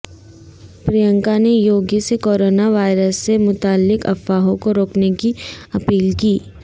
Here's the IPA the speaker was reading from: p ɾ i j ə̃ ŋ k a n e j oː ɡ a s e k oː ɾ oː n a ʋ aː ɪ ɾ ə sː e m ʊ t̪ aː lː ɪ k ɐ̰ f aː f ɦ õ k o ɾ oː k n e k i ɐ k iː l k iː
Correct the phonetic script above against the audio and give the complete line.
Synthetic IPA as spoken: p ɾ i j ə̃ ŋ k a n e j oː ɡ i s e k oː ɾ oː n a ʋ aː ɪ ɾ ə sː e m ʊ t̪ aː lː ɪ k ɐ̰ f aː ɦ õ k o ɾ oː k n e k i ɐ p iː l k iː